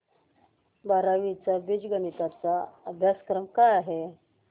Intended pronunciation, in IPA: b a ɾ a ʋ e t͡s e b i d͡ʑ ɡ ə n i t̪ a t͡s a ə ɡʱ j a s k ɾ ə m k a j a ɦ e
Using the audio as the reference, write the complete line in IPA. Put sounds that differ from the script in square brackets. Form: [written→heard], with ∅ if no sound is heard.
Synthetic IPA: b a ɾ a ʋ [e→i] t͡s [e→a] b i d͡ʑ ɡ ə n i t̪ a t͡s a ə [ɡʱ→bʱ] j a s k ɾ ə m k a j a ɦ e